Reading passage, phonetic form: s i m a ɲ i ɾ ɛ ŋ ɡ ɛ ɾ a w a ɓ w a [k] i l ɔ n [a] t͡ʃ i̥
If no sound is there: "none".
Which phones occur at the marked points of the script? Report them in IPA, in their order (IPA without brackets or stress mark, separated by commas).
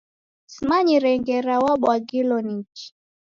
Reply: ɡ, i